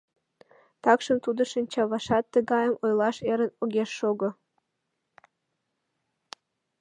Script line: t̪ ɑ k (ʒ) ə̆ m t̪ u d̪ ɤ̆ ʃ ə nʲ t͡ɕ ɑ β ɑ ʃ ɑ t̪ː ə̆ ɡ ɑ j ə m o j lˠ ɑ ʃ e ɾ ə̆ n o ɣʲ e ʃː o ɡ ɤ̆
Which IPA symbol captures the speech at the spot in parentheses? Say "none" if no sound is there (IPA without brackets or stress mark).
ʃ